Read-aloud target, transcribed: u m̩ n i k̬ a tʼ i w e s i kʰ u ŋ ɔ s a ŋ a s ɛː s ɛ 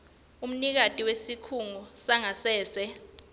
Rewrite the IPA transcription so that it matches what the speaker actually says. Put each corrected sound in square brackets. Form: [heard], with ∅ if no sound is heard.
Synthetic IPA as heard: u m̩ n i k̬ a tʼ i w e s i kʰ u ŋ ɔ s a ŋ a s ɛː s ɛ